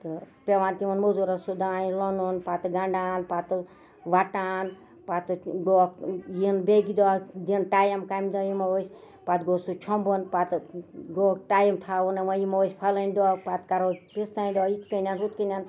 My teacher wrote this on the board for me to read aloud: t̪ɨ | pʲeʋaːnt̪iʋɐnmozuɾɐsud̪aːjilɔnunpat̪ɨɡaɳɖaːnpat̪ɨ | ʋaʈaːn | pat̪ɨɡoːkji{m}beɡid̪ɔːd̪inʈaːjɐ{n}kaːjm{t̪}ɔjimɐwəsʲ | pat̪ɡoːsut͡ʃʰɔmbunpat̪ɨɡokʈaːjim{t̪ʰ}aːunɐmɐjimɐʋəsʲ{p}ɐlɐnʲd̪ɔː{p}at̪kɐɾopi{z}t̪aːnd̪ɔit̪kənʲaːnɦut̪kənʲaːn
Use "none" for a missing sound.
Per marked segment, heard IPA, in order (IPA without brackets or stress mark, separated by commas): n, m, d̪, t̪ʰ, pʰ, p, s